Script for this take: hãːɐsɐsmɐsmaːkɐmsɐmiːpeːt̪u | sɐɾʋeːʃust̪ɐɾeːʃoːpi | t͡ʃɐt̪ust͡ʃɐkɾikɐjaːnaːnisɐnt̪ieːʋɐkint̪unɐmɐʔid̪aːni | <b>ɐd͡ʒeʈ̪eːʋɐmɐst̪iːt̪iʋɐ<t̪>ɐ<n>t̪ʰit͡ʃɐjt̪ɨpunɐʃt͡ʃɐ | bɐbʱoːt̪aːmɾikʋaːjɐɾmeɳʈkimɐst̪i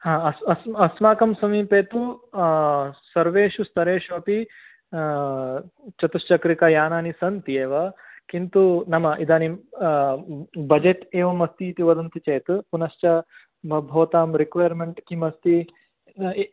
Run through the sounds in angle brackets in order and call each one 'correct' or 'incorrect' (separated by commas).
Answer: correct, incorrect, correct